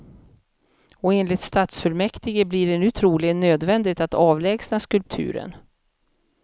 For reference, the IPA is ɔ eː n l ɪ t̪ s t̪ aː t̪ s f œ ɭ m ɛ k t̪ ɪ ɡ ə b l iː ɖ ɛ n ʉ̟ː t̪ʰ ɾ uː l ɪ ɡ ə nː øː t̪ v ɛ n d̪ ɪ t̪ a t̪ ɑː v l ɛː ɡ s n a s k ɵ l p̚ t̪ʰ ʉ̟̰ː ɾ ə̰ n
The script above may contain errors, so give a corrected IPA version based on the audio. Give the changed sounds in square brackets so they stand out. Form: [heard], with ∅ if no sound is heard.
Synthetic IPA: ɔ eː n l ɪ t̪ s t̪ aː t̪ s f œ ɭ m ɛ k t̪ ɪ ɡ ə b l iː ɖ ɛ n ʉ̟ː t̪ʰ ɾ uː l ɪ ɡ ə nː øː [d̪] v ɛ n d̪ ɪ t̪ a t̪ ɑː v l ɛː ɡ s n a s k ɵ l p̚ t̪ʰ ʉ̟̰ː ɾ ə̰ n